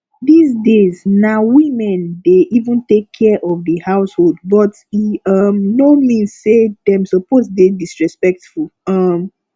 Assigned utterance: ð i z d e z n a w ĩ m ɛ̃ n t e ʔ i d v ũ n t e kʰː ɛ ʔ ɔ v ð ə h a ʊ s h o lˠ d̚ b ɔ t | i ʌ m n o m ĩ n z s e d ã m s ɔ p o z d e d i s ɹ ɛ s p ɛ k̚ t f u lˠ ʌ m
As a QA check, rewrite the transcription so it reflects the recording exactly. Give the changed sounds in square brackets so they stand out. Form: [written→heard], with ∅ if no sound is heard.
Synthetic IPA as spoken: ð i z d e z n a w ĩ m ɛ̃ n [t→d] e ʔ i [d→∅] v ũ n t e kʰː ɛ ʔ ɔ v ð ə h a ʊ s h o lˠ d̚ b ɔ t | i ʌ m n o m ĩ n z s e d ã m s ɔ p o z d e d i s ɹ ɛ s p ɛ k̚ t f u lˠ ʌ m

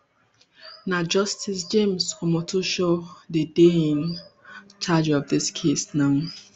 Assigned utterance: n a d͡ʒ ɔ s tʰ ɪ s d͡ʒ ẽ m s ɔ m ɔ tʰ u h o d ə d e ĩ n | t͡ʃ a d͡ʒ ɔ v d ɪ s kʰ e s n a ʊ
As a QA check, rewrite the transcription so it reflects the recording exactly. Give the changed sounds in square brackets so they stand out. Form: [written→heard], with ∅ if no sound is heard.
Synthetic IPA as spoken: n a d͡ʒ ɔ s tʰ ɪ s d͡ʒ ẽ m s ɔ m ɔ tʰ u [h→ʃ] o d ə d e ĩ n | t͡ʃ a d͡ʒ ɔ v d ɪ s kʰ e s n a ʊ

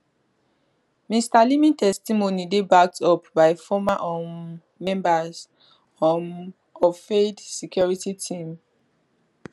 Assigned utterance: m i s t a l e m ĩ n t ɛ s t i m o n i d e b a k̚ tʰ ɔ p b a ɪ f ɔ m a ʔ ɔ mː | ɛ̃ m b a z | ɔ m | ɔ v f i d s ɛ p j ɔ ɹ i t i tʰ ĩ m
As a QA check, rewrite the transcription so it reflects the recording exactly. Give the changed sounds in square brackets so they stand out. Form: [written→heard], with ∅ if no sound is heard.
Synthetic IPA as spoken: m i s t a l [e→i] m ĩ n t ɛ s t i m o n i d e b a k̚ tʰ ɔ p b a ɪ f ɔ m a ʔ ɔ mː | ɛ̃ m b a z | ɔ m | ɔ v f [i→e] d s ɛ [p→k] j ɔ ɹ i t i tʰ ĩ m

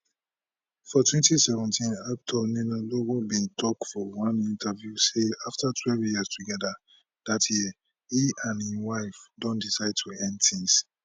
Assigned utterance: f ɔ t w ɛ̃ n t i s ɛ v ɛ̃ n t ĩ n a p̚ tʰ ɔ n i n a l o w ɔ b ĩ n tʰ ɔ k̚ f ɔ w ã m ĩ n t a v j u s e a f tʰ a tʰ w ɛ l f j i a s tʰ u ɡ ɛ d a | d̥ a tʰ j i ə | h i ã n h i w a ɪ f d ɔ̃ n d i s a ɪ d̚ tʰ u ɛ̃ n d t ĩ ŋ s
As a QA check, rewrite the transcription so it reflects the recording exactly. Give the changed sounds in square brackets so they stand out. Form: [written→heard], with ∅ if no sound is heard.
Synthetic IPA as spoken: f ɔ t w ɛ̃ n t i s ɛ v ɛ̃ n t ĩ n a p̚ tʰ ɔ n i n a l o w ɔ b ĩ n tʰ ɔ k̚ f ɔ w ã [m→n] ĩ n t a v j u s e a f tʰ a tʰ w ɛ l [f→v] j i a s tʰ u ɡ ɛ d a | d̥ a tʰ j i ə | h i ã n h i w a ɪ f d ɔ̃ n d i s a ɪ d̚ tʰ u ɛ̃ n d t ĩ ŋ s

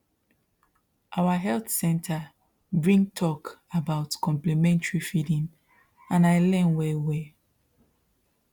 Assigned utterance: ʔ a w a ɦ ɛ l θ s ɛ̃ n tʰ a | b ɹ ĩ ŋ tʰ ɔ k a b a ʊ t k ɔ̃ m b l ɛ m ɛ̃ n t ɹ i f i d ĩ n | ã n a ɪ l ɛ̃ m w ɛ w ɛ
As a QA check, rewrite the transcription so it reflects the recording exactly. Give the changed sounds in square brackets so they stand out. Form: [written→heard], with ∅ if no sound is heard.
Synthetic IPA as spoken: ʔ a w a ɦ ɛ l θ s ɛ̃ n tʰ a | b ɹ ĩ ŋ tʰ ɔ k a b a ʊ t k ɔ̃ m [b→p] l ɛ m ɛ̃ n t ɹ i f i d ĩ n | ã n a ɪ l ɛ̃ [m→n] w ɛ w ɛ

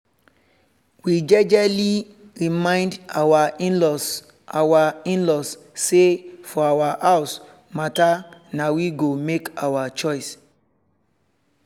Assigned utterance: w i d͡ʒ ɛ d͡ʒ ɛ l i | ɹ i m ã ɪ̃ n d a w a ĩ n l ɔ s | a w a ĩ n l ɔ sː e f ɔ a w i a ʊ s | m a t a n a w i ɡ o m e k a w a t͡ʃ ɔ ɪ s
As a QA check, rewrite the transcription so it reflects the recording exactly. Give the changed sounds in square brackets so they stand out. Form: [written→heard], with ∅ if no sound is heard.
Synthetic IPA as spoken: w i d͡ʒ ɛ d͡ʒ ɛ l i | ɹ i m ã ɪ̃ n d a w a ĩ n l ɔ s | a w a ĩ n l ɔ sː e f ɔ a w [i→a] a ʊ s | m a t a n a w i ɡ o m e k a w a t͡ʃ ɔ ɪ s

